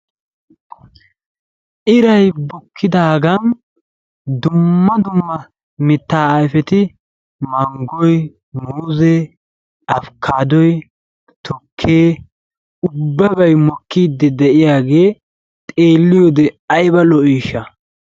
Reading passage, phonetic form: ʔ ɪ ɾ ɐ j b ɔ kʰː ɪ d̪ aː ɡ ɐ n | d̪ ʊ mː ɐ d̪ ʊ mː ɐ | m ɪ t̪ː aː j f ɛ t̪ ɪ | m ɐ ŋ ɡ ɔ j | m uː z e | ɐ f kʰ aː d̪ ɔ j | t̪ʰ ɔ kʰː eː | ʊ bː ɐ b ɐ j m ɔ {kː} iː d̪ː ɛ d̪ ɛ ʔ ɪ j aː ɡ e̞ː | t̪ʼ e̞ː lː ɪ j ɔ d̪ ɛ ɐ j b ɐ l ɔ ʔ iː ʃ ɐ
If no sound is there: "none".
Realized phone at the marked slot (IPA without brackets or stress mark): kː